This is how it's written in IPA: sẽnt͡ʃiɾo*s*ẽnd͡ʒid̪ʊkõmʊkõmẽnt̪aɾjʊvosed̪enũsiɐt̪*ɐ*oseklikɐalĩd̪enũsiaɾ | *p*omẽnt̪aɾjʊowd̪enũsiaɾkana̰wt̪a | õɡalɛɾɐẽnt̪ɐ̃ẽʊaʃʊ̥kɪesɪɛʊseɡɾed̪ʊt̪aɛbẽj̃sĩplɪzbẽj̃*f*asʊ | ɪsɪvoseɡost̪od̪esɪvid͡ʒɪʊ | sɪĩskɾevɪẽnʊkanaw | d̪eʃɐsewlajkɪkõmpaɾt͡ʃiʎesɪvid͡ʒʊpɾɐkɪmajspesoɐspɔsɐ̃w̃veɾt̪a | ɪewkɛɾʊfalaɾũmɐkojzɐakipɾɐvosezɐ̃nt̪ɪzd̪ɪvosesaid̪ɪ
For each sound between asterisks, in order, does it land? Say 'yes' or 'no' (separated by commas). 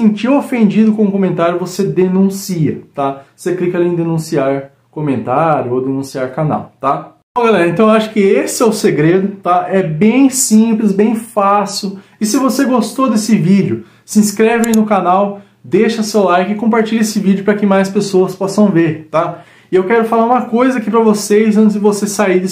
no, no, no, yes